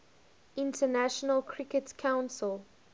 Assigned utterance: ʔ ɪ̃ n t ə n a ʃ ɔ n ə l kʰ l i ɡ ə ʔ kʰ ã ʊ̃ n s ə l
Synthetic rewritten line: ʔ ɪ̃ n t ə n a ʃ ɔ n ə l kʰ ɹ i k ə t kʰ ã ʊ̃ n s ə l